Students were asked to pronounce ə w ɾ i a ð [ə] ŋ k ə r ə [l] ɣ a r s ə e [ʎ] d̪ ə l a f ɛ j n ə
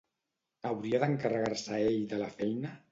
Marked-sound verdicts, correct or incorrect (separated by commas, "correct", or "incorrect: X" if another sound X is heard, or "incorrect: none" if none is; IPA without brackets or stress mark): correct, incorrect: none, correct